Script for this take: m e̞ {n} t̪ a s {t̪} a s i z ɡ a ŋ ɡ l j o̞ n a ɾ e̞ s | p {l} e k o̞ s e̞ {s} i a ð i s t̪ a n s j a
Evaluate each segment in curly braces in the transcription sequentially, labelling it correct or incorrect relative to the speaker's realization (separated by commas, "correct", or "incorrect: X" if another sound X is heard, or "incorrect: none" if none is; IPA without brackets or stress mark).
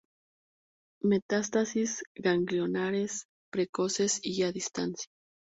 incorrect: none, correct, incorrect: ɾ, correct